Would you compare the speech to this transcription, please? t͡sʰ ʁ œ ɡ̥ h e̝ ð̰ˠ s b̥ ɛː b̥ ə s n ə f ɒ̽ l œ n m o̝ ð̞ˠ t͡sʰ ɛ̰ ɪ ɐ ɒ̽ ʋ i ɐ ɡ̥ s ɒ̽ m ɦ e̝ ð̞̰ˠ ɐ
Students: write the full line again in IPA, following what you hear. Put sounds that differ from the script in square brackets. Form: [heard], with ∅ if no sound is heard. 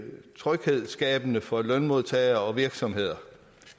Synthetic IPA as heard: t͡sʰ ʁ œ ɡ̥ h e̝ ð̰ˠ s [ɡ̥] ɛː b̥ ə [∅] n ə f ɒ̽ l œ n m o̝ ð̞ˠ t͡sʰ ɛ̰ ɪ ɐ ɒ̽ ʋ i ɐ ɡ̥ s ɒ̽ m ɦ e̝ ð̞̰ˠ ɐ